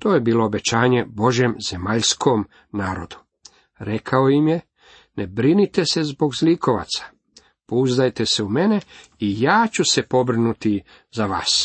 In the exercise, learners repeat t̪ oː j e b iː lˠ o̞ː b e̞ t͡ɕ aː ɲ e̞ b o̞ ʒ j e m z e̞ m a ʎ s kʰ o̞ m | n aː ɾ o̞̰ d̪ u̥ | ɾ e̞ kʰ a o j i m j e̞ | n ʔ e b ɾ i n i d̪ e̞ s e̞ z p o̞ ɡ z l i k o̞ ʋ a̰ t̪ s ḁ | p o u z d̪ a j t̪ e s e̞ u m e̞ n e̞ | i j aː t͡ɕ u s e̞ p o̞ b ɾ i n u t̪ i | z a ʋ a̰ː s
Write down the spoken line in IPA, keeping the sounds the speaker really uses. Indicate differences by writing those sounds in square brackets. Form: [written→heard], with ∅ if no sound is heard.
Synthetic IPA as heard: t̪ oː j e b iː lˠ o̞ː b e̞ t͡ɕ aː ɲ e̞ b o̞ ʒ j e m z e̞ m a ʎ s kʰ o̞ m | n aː ɾ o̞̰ d̪ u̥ | ɾ e̞ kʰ a o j i m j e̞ | n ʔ e b ɾ i n i [d̪→t̪] e̞ s e̞ z [p→b] o̞ ɡ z l i k o̞ ʋ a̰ t̪ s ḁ | p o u z d̪ a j t̪ e s e̞ u m e̞ n e̞ | i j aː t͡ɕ u s e̞ p o̞ b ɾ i n u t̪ i | z a ʋ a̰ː s